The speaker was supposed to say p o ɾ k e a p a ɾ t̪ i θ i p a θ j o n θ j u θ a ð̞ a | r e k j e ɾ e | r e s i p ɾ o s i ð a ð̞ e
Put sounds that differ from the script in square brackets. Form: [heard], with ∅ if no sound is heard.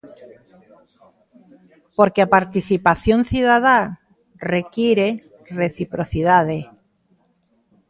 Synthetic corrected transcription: p o ɾ k e a p a ɾ t̪ i θ i p a θ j o n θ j u [ð] a ð̞ a | r e k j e ɾ e | r e [θ] i p ɾ o [θ] i ð a ð̞ e